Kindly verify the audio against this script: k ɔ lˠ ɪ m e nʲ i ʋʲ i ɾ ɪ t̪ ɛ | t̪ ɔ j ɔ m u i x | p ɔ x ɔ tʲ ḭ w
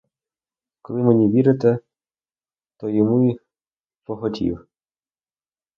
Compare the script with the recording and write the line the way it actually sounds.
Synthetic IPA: k ɔ lˠ ɪ m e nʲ i ʋʲ i ɾ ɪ t̪ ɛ | t̪ ɔ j ɔ m u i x | p ɔ x ɔ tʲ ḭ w